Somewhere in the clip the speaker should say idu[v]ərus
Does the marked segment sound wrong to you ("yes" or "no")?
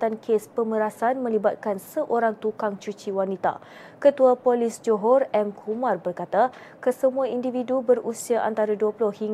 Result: yes